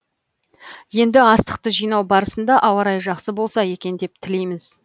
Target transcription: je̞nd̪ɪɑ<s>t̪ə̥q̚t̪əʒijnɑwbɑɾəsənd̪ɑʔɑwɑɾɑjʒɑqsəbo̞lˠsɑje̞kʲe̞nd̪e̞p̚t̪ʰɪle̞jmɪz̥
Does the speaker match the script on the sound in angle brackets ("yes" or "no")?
yes